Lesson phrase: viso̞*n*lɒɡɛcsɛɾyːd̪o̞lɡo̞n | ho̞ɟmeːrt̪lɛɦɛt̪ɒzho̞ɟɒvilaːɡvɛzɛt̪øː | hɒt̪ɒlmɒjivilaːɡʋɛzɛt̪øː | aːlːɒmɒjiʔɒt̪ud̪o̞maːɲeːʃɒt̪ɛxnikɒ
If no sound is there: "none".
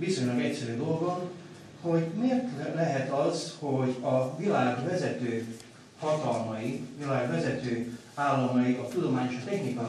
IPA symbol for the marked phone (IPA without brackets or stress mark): ɲ